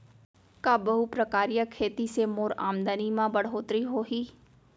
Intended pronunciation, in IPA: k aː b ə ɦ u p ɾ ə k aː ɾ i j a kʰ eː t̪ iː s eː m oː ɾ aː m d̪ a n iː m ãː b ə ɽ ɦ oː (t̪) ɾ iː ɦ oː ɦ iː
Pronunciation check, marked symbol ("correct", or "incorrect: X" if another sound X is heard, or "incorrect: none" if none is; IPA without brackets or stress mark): correct